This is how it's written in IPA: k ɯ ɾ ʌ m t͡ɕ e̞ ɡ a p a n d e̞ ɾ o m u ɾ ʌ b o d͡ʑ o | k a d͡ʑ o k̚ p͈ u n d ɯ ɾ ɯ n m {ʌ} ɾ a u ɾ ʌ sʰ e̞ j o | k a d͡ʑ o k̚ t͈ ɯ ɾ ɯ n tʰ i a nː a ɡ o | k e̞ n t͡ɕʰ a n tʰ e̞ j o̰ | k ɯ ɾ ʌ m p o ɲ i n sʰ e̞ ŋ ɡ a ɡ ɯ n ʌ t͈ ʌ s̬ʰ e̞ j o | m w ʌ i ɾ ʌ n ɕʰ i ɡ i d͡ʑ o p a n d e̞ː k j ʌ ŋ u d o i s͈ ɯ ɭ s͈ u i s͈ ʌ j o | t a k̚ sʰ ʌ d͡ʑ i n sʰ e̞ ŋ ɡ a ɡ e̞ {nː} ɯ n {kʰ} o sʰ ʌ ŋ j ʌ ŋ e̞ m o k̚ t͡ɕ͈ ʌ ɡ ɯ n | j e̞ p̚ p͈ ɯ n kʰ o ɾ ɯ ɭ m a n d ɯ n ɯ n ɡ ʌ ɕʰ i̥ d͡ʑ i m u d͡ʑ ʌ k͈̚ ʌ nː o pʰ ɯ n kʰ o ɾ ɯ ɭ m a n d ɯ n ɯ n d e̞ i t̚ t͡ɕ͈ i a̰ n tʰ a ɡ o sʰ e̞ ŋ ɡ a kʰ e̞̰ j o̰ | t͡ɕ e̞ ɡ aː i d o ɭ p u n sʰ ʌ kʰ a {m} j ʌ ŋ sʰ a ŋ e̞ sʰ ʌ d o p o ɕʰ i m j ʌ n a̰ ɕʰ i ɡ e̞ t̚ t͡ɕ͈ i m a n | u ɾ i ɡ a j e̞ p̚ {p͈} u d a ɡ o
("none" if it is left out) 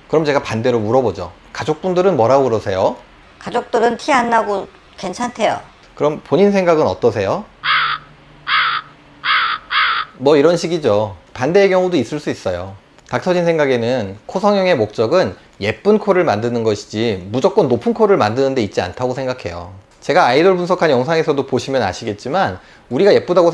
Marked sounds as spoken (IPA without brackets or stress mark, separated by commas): ʌ, n, kʰ, n, p͈